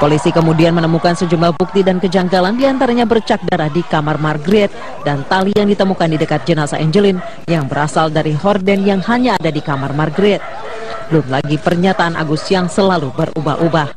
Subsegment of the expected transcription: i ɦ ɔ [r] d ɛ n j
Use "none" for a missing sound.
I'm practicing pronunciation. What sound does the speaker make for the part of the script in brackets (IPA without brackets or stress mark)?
r